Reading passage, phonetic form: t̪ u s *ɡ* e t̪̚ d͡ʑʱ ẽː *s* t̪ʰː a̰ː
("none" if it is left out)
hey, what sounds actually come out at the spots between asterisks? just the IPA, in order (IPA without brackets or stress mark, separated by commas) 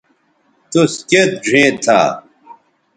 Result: k, none